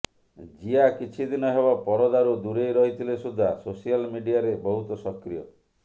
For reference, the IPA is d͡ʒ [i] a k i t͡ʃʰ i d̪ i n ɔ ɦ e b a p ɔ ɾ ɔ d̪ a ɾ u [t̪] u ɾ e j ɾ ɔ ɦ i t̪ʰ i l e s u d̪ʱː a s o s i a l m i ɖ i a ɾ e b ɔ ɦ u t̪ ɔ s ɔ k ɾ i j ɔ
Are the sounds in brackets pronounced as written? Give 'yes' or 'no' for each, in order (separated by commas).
yes, no